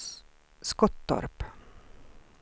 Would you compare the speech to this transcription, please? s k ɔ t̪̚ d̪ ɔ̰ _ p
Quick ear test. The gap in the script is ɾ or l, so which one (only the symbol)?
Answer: ɾ